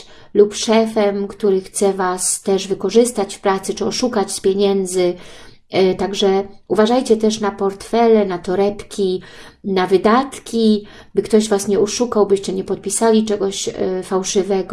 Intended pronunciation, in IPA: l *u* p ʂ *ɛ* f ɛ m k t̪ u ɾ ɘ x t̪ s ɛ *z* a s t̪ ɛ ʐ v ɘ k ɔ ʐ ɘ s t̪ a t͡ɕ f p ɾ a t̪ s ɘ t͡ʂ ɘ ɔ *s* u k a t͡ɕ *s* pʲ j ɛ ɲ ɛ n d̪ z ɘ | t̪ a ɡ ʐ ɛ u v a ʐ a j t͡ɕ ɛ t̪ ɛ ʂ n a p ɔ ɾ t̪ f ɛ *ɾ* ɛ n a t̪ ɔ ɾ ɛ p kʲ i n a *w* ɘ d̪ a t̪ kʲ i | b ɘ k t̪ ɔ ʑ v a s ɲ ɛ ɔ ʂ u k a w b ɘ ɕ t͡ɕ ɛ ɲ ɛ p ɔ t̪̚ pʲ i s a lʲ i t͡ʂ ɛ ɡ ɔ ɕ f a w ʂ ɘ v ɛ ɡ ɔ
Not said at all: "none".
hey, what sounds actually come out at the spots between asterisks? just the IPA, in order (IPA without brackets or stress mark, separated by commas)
u, ɛ, v, ʂ, s, l, v